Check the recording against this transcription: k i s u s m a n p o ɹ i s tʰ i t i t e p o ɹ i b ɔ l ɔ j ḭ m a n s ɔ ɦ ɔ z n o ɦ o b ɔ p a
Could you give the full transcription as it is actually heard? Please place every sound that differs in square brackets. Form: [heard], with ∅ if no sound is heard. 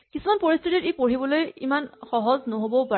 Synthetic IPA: k i s u [∅] m a n p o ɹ i s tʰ i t i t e p o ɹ i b ɔ l [o] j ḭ m a n [x] ɔ ɦ ɔ z n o ɦ o b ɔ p a